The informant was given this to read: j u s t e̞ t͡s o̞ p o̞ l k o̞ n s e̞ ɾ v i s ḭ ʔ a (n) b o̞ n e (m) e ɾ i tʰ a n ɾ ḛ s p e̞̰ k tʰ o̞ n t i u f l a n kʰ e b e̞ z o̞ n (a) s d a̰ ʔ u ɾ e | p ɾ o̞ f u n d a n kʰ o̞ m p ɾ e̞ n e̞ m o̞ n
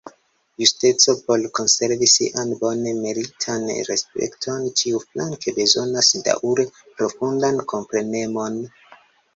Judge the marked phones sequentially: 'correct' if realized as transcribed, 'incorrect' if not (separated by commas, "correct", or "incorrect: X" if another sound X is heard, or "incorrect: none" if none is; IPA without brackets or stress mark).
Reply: correct, correct, correct